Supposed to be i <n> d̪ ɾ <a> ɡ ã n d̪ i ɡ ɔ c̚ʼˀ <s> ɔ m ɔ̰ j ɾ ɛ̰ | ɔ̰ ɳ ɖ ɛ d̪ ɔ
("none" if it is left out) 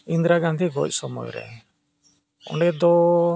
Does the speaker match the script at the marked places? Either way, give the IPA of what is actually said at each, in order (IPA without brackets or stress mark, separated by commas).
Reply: n, a, s